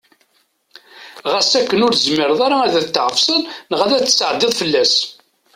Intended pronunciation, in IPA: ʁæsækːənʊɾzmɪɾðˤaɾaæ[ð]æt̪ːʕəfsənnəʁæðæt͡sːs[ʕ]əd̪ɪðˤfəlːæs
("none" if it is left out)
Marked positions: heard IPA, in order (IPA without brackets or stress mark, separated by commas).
ð, ʕ